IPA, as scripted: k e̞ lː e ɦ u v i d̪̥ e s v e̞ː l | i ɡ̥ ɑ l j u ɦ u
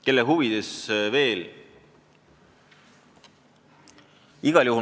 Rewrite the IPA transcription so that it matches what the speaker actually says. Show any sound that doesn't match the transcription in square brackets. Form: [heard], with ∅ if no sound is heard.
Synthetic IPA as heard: k e̞ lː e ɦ u v i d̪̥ e s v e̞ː l | i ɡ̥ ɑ l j u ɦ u